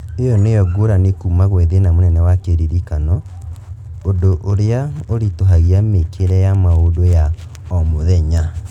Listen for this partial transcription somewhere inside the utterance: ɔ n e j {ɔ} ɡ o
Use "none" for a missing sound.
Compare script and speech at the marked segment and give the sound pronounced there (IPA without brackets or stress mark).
ɔ